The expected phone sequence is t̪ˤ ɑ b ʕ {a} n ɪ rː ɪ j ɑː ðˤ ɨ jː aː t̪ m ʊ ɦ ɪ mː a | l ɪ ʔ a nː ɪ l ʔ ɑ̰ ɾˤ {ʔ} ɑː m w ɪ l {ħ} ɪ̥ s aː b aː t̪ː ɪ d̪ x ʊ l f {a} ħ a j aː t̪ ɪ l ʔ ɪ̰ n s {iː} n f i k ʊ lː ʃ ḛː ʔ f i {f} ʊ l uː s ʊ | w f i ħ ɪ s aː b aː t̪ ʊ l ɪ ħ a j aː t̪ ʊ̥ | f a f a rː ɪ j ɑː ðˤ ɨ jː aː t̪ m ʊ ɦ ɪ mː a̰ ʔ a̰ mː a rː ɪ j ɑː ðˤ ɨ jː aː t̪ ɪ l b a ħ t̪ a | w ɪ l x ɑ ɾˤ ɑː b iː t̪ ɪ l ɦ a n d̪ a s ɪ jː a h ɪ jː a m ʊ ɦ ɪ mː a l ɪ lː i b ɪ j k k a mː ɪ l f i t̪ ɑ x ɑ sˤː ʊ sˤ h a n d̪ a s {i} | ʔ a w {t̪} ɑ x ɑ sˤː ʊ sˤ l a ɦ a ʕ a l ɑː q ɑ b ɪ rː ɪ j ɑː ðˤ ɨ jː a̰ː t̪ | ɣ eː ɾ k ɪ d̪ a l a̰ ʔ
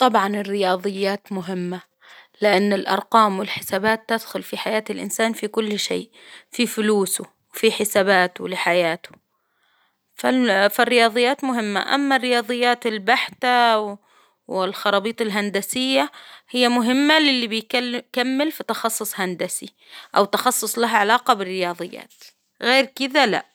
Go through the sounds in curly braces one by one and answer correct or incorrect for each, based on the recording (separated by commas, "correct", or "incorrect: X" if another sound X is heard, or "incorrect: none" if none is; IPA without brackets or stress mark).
incorrect: ɑ, incorrect: q, correct, incorrect: i, incorrect: aː, correct, correct, correct